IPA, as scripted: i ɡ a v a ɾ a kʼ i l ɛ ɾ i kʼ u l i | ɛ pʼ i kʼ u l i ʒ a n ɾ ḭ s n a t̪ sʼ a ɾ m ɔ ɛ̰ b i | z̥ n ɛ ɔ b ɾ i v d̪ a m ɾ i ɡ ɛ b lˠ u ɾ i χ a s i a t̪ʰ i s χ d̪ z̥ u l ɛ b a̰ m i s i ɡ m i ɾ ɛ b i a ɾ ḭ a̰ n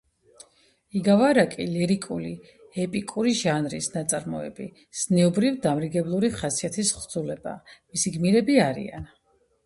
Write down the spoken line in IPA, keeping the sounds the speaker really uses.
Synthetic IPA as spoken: i ɡ a v a ɾ a kʼ i l ɛ ɾ i kʼ u l i | ɛ pʼ i kʼ u ɾ i ʒ a n ɾ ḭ s n a t̪ sʼ a ɾ m ɔ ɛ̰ b i | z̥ n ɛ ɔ b ɾ i v d̪ a m ɾ i ɡ ɛ b lˠ u ɾ i χ a s i a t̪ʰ i s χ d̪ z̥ u l ɛ b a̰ m i s i ɡ m i ɾ ɛ b i a ɾ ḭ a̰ n